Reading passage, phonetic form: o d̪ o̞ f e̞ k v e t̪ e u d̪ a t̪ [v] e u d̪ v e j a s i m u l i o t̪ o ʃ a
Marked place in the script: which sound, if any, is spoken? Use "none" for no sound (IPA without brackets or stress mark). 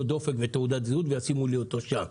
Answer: z